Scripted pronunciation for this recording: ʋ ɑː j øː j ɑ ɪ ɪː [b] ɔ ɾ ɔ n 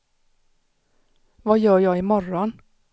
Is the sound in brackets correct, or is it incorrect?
incorrect